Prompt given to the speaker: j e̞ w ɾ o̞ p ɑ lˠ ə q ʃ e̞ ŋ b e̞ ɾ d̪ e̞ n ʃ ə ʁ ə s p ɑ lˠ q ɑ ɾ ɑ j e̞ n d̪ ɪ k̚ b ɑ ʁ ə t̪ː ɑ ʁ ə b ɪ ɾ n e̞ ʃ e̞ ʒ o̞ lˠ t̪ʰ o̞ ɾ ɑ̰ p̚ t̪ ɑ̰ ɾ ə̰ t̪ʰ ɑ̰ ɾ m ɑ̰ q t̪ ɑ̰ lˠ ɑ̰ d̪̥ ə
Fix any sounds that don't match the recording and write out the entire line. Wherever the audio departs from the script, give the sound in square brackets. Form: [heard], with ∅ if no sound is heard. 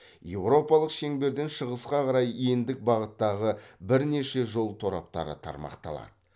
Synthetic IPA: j e̞ w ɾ o̞ p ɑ lˠ ə q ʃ e̞ ŋ b e̞ ɾ d̪ e̞ n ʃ ə ʁ ə s [q] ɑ [∅] q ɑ ɾ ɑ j e̞ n d̪ ɪ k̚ b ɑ ʁ ə t̪ː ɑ ʁ ə b ɪ ɾ n e̞ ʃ e̞ ʒ o̞ lˠ t̪ʰ o̞ ɾ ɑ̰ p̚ t̪ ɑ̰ ɾ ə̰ t̪ʰ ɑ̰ ɾ m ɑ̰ q t̪ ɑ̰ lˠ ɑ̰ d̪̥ ə